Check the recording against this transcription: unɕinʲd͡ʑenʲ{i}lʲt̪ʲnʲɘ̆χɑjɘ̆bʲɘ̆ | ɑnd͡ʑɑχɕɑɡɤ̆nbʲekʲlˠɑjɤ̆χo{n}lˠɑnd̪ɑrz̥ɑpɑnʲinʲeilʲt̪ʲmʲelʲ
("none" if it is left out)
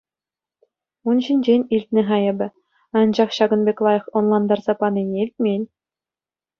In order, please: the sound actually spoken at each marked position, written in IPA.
i, n

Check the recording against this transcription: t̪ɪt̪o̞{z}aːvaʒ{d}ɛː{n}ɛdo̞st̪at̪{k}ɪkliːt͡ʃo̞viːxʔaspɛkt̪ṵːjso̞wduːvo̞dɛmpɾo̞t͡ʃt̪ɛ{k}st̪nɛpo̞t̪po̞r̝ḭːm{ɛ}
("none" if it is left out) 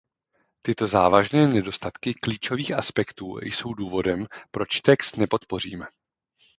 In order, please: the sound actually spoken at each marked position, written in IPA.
z, n, n, k, k, ɛ

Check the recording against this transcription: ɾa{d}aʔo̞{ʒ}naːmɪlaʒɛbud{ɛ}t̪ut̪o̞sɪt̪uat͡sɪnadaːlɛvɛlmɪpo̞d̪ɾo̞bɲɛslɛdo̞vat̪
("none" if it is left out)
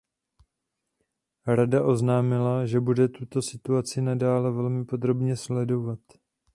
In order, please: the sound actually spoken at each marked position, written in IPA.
d, z, ɛ

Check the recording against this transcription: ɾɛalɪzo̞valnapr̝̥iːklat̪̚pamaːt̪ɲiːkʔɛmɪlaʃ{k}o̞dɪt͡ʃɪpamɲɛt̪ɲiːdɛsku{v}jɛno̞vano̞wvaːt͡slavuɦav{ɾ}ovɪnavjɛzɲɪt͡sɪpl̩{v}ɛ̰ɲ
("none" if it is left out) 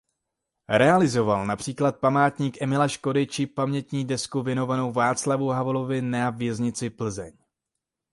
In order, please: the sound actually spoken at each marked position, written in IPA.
k, v, l, z

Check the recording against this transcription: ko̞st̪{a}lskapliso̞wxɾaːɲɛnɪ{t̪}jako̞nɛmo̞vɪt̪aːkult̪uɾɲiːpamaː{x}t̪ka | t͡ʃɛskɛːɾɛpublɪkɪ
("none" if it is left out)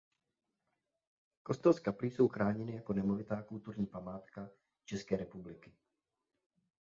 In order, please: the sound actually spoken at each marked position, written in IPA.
ɛ, none, none

